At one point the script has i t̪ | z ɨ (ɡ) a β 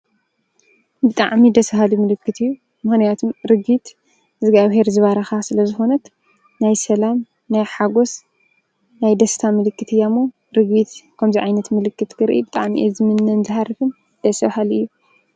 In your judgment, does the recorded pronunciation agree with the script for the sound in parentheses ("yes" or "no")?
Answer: yes